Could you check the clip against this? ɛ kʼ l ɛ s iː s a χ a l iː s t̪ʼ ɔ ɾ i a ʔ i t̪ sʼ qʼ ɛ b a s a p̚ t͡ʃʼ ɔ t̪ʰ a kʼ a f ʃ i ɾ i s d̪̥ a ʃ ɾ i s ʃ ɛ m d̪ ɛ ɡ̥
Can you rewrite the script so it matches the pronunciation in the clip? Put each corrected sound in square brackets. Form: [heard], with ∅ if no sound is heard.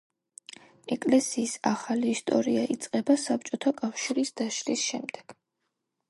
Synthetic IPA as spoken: ɛ kʼ l ɛ s iː s a χ a l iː s t̪ʼ ɔ ɾ i a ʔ i t̪ sʼ qʼ ɛ b a s a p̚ t͡ʃʼ ɔ t̪ʰ a kʼ a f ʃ i ɾ i s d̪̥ a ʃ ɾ i s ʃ ɛ m d̪ ɛ ɡ̥